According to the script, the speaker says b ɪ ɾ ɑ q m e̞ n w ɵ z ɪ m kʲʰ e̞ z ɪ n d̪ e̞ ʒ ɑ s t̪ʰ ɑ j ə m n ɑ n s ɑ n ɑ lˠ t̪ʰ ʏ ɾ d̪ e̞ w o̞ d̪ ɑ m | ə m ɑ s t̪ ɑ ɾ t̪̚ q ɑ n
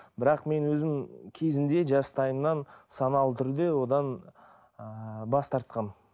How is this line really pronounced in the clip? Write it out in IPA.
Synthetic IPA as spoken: b ɪ ɾ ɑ q m e̞ n w ɵ z ɪ m kʲʰ e̞ z ɪ n d̪ e̞ ʒ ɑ s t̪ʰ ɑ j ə m n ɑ n s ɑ n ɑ lˠ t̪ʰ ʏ ɾ d̪ e̞ w o̞ d̪ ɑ n | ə b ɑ s t̪ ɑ ɾ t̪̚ q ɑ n